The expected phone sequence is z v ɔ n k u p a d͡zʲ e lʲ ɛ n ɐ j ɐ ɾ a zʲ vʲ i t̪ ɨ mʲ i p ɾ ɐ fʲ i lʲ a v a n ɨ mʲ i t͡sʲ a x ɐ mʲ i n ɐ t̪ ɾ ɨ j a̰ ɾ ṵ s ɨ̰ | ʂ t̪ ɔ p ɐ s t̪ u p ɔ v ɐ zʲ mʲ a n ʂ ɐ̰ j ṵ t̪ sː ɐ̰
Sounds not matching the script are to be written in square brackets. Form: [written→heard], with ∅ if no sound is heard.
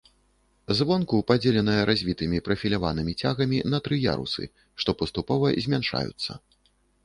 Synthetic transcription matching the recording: z v ɔ n k u p a d͡zʲ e lʲ ɛ n ɐ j ɐ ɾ a zʲ vʲ i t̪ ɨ mʲ i p ɾ ɐ fʲ i lʲ a v a n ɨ mʲ i t͡sʲ a [x→ɣ] ɐ mʲ i n ɐ t̪ ɾ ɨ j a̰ ɾ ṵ s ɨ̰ | ʂ t̪ ɔ p ɐ s t̪ u p ɔ v ɐ zʲ mʲ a n ʂ [ɐ̰→a̰] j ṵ t̪ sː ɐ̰